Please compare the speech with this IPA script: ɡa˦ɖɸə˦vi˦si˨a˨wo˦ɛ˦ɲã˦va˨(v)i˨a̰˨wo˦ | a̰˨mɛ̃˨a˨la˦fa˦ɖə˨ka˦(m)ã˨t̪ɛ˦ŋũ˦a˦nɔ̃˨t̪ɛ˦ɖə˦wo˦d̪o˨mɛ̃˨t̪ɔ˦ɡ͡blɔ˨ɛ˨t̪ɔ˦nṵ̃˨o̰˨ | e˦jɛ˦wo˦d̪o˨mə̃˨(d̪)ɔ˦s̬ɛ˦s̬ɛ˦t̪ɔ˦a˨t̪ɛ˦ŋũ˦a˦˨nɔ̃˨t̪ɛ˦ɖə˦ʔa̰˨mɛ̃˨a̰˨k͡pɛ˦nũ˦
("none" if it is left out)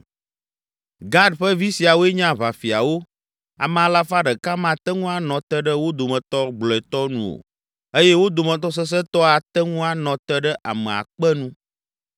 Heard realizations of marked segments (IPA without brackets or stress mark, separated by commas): f, m, t̪